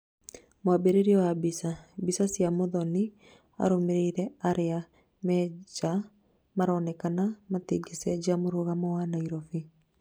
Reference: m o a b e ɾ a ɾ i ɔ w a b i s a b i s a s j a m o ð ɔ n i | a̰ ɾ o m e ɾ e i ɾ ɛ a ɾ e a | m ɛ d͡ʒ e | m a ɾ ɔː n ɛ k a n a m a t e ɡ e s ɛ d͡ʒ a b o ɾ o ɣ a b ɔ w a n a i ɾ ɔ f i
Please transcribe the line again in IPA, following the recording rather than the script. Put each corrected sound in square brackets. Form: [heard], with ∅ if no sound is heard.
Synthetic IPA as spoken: m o a b e ɾ [e] ɾ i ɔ w a b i s a b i s a s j a m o ð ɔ n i | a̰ ɾ o m e ɾ e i ɾ ɛ a ɾ e a | m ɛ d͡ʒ [a] | m a ɾ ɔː n ɛ k a n a m a t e ɡ e s ɛ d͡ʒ a [m] o ɾ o ɣ a [m] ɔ w a n a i ɾ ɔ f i